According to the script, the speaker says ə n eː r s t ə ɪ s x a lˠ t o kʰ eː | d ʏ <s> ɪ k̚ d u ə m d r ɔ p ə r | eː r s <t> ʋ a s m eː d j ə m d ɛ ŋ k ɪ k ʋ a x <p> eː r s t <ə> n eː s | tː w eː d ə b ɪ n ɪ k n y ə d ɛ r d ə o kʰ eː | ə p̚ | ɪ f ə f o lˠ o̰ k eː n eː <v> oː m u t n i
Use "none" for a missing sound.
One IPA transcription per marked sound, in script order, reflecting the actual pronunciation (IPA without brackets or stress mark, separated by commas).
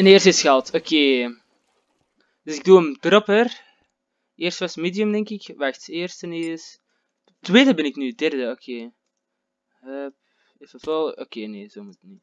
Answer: s, t, t, ə, z